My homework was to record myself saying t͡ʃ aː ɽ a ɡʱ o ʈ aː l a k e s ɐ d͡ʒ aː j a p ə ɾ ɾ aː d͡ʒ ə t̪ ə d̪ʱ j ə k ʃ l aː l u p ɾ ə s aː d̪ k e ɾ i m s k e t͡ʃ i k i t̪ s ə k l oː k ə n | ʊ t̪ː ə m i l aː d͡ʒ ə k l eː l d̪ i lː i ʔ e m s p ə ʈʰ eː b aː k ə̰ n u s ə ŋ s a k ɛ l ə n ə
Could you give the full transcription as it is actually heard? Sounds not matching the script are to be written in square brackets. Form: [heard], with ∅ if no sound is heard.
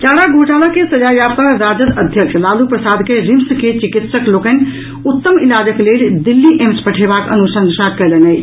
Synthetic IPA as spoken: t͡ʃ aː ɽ a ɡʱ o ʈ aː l a k e s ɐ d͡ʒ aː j a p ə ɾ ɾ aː d͡ʒ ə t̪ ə d̪ʱ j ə k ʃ l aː l u p ɾ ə s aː d̪ k e ɾ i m s k e t͡ʃ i k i t̪ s ə k l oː k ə n | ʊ t̪ː ə m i l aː d͡ʒ ə k l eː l d̪ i lː i ʔ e m s p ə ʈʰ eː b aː k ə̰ n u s ə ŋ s a k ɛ l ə n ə